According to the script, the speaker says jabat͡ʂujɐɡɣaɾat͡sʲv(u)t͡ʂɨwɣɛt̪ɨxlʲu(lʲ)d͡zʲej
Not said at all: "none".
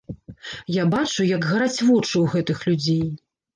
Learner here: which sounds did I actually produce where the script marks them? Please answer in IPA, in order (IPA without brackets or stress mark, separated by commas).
ɔ, none